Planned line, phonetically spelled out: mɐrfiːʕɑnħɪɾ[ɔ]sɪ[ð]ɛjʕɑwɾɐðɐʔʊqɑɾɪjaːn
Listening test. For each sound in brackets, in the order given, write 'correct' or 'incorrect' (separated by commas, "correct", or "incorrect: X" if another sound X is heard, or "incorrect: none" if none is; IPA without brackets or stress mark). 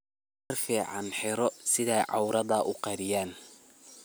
correct, correct